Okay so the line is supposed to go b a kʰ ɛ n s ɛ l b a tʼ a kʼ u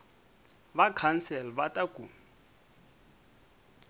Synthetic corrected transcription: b a kʰ a n s ɛ l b a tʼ a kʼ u